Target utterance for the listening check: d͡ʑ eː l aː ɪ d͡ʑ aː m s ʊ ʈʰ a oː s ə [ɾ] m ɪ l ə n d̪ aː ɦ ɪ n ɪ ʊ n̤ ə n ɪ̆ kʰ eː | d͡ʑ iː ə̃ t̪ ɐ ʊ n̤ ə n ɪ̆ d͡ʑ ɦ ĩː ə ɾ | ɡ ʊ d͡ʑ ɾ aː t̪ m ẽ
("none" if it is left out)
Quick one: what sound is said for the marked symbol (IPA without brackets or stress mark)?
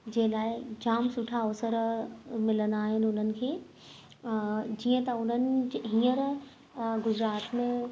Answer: ɾ